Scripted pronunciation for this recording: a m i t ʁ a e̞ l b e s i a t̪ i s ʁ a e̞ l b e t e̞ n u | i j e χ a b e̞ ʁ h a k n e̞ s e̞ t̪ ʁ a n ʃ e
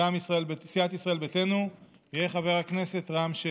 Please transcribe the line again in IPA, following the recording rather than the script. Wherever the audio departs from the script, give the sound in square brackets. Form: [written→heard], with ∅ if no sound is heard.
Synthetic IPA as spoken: a m i [t→s] ʁ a e̞ l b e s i a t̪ i s ʁ a e̞ l b e t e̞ n u | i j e χ a [b→v] e̞ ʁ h a k n e̞ s e̞ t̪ ʁ a [n→m] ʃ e